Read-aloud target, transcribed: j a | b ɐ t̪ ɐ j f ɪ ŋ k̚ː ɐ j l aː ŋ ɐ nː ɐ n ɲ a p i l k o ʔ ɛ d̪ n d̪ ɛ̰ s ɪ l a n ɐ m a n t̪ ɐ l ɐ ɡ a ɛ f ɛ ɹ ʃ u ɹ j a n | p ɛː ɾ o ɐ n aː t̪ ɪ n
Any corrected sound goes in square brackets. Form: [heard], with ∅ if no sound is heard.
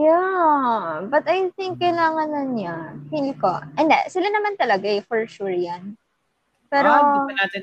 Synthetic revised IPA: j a | b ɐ t̪ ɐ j [θ] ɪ ŋ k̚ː ɐ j l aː ŋ ɐ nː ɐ n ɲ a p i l k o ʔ ɛ [∅] n d̪ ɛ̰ s ɪ l a n ɐ m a n t̪ ɐ l ɐ ɡ a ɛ f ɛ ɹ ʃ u ɹ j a n | p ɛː ɾ o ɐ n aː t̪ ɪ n